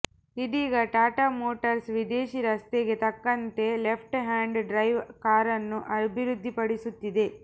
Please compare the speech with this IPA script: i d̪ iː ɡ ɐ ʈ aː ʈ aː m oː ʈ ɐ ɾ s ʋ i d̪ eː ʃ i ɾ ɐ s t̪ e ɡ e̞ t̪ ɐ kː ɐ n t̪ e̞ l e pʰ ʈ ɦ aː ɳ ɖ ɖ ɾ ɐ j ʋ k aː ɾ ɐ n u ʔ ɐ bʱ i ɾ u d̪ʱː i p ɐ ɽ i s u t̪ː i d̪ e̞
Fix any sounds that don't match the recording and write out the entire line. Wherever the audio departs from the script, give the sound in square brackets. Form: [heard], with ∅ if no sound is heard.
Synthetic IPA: i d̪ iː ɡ ɐ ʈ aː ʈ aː m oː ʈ ɐ ɾ s ʋ i d̪ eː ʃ i ɾ ɐ s t̪ e ɡ e̞ t̪ ɐ kː ɐ n t̪ e̞ l e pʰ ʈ ɦ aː ɳ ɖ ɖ ɾ ɐ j ʋ k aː ɾ ɐ [nː] u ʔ ɐ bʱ i ɾ u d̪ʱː i p ɐ ɽ i s u t̪ː i d̪ e̞